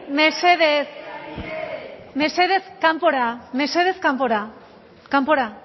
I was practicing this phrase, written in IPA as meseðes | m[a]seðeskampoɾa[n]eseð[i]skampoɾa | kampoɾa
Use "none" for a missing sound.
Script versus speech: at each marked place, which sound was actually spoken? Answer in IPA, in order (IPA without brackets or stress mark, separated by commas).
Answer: e, m, e